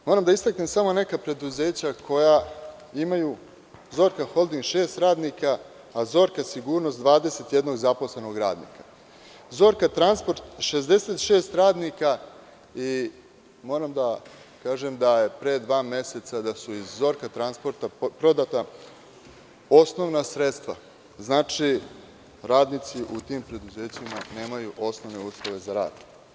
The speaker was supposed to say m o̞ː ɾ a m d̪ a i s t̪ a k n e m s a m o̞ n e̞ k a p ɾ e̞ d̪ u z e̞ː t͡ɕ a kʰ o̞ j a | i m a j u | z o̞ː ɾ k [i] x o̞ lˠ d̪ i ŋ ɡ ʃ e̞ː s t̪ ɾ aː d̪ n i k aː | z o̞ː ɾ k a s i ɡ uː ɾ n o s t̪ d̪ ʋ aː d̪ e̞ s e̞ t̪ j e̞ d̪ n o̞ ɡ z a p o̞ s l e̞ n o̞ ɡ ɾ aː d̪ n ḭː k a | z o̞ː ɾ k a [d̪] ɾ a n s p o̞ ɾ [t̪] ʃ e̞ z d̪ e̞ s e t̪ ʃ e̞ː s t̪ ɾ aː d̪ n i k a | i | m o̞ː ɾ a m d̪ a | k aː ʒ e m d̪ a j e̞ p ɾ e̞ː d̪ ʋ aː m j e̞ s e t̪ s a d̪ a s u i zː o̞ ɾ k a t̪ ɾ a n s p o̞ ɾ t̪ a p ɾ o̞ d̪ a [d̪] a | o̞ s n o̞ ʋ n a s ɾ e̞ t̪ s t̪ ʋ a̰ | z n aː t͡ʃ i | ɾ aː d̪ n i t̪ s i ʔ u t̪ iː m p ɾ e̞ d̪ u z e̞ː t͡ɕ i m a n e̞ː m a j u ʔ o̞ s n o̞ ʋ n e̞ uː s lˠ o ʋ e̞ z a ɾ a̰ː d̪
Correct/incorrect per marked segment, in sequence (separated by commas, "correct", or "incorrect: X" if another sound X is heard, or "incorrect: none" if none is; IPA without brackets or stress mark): incorrect: a, incorrect: t̪, correct, incorrect: t̪